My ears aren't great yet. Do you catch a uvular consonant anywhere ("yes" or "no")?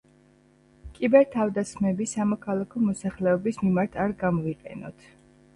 yes